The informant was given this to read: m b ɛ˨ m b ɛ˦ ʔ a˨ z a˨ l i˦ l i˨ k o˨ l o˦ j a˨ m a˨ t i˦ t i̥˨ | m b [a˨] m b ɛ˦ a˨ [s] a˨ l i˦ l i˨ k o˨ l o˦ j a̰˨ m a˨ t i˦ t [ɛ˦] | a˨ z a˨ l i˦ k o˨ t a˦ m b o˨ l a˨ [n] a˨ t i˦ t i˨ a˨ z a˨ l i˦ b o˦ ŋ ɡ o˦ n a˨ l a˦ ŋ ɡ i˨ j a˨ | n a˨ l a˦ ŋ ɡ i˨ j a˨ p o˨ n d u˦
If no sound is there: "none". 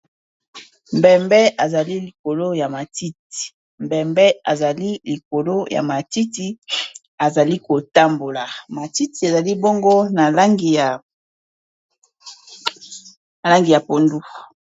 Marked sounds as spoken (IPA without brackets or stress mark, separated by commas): ɛ˨, z, i˦, m